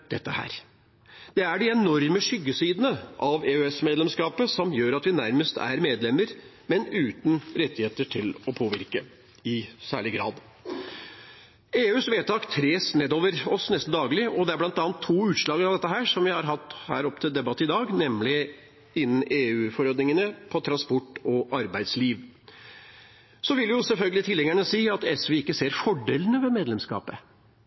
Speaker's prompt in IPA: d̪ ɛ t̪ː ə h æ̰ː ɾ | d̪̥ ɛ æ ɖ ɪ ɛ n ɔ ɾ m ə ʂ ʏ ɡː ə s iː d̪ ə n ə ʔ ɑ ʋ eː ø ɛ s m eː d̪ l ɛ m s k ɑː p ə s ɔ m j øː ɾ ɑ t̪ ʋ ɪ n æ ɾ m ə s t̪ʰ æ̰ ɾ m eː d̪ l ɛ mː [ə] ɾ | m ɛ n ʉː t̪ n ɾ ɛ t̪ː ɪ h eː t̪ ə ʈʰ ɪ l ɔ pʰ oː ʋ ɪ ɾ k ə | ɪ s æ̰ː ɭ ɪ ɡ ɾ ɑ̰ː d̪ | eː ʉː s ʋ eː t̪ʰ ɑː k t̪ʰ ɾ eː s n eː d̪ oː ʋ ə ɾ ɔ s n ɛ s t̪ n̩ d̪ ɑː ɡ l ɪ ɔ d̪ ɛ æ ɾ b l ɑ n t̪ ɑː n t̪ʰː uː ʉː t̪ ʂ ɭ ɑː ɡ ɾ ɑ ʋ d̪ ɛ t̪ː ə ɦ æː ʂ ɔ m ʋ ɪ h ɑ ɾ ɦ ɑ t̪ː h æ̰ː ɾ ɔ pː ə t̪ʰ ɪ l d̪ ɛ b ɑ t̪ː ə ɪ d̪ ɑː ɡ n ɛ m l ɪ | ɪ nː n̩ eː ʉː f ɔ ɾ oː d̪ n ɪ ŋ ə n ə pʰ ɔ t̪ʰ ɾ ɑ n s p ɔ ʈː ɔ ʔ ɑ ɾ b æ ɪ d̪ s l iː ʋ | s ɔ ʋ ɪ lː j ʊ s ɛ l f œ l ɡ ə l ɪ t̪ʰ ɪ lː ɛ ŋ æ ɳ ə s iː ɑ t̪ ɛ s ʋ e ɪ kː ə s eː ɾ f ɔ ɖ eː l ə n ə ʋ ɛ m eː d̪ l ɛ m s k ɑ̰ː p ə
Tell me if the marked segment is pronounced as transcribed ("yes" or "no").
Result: yes